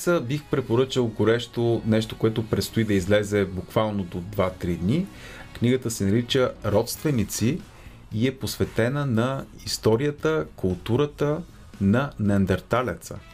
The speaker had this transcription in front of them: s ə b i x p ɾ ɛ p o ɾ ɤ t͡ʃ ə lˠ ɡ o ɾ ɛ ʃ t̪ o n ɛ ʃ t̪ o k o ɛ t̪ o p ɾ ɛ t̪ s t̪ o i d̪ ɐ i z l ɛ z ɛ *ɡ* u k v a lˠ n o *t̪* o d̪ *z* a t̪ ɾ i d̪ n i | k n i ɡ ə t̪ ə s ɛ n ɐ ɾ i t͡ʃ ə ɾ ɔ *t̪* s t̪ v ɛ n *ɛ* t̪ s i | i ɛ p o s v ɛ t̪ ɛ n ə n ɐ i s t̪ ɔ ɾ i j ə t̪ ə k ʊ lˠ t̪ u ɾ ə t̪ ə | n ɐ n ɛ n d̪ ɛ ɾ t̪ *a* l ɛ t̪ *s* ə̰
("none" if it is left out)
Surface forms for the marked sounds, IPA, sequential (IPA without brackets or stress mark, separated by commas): b, d̪, v, t̪, i, a, s